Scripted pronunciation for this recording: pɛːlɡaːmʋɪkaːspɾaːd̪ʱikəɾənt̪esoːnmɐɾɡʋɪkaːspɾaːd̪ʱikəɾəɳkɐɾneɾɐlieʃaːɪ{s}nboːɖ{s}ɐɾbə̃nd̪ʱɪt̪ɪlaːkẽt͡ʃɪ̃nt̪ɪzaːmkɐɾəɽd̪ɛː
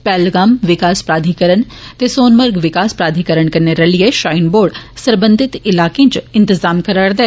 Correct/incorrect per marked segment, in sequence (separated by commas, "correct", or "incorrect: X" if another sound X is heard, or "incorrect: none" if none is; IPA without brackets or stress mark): incorrect: none, correct